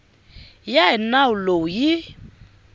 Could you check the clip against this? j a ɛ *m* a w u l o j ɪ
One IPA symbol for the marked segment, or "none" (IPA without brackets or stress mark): n